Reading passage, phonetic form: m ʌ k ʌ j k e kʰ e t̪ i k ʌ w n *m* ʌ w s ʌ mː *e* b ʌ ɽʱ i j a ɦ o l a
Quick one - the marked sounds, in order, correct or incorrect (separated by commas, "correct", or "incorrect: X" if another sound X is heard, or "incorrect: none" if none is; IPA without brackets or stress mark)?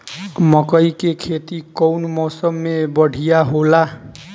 correct, correct